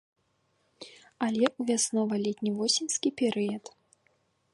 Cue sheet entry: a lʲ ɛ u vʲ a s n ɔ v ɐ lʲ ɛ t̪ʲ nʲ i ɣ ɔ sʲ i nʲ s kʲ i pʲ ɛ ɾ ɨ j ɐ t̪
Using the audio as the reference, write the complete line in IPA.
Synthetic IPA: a lʲ ɛ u vʲ a s n ɔ v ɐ lʲ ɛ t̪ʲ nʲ i v ɔ sʲ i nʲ s kʲ i pʲ ɛ ɾ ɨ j ɐ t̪